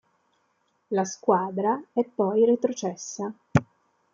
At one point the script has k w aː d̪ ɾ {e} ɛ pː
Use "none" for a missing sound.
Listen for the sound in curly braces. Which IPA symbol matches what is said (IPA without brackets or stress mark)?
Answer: a